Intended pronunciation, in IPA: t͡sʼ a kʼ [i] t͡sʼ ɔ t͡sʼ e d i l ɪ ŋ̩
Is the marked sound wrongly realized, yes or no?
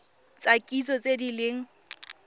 no